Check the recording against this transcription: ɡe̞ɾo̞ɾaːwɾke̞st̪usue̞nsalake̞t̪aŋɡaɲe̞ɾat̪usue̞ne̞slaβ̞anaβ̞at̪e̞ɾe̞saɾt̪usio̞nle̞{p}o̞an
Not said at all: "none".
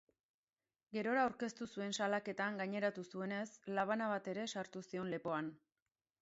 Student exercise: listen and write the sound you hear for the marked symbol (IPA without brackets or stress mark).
p